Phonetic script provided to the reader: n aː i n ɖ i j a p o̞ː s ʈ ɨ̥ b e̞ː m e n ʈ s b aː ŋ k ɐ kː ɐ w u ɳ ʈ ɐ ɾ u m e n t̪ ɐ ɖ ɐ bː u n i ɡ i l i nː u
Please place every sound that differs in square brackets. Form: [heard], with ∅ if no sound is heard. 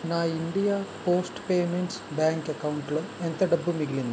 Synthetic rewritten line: n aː i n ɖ i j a p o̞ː s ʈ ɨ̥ [p] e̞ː m e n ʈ s b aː ŋ k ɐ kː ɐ w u ɳ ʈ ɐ [ɭ] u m e n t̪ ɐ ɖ ɐ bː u [m] i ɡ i l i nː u

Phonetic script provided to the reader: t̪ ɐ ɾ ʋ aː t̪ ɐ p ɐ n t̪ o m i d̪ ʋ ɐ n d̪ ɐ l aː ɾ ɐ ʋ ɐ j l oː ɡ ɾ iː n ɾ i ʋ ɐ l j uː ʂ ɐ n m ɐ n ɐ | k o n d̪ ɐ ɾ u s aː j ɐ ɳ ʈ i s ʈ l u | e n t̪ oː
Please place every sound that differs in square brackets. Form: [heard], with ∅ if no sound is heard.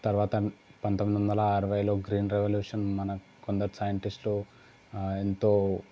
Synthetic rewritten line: t̪ ɐ ɾ ʋ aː t̪ ɐ p ɐ n t̪ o m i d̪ ʋ ɐ n d̪ ɐ l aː ɾ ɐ ʋ ɐ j l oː ɡ ɾ iː n ɾ [e] ʋ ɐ l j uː ʂ ɐ n m ɐ n ɐ | k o n d̪ ɐ ɾ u s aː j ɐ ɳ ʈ i s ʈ l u | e n t̪ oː

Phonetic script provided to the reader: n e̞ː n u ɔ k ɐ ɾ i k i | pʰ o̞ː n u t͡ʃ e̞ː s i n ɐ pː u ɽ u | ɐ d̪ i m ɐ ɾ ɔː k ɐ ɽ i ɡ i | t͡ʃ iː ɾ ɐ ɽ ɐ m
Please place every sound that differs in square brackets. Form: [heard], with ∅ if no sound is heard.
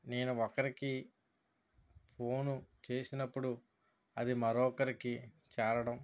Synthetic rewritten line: n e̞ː n u ɔ k ɐ ɾ i k i | pʰ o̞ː n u t͡ʃ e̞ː s i n ɐ pː u ɽ u | ɐ d̪ i m ɐ ɾ ɔː k ɐ [ɾ] i [k] i | t͡ʃ [ɛː] ɾ ɐ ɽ ɐ m

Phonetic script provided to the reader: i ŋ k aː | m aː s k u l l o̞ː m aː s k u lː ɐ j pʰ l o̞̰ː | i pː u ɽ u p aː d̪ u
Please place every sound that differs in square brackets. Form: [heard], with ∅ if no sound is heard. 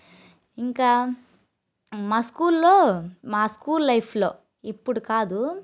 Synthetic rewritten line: i ŋ k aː | m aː s k [uː] l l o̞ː m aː s k [uː] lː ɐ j pʰ l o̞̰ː | i pː u ɽ u [k] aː d̪ u

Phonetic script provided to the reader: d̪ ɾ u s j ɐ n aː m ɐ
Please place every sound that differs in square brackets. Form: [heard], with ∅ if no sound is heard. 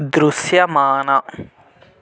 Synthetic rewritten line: d̪ ɾ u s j ɐ [m] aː [n] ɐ

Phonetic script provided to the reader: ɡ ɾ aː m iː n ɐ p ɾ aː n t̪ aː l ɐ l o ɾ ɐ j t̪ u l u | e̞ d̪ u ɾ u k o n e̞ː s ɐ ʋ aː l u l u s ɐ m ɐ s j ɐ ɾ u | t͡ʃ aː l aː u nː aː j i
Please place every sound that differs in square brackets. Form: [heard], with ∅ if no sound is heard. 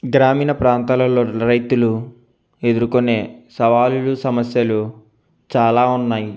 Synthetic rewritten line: ɡ ɾ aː m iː n ɐ p ɾ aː n t̪ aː l ɐ l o ɾ ɐ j t̪ u l u | e̞ d̪ u ɾ u k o n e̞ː s ɐ ʋ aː l u l u s ɐ m ɐ s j ɐ [l] u | t͡ʃ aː l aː u nː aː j i

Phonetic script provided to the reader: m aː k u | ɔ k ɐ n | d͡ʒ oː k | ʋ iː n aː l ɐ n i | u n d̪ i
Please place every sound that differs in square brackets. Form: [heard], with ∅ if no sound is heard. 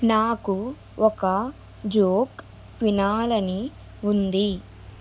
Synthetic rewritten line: [n] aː k u | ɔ k ɐ [∅] | d͡ʒ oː k | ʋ [i] n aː l ɐ n i | u n d̪ i

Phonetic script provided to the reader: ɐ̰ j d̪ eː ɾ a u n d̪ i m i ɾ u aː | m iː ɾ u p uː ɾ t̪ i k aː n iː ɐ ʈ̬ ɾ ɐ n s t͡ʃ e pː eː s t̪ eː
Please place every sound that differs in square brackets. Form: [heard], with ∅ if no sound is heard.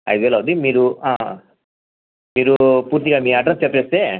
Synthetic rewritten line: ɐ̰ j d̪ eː [l] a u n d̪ i m [iː] ɾ u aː | m iː ɾ u p uː ɾ t̪ i [ɡ] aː [m] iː ɐ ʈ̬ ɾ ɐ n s t͡ʃ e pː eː s t̪ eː

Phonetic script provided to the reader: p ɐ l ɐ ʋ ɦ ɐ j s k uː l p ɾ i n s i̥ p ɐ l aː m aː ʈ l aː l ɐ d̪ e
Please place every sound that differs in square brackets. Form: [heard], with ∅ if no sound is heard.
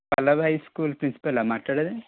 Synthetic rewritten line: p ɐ l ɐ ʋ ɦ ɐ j s k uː l p ɾ i n s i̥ p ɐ l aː m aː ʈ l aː [ɽ] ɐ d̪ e

